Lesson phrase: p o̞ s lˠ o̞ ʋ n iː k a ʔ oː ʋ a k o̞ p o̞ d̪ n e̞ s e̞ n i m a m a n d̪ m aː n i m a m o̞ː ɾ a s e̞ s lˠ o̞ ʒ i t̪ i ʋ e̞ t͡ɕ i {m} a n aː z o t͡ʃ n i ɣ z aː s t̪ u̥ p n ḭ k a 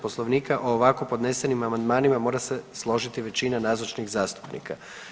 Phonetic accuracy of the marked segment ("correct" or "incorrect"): incorrect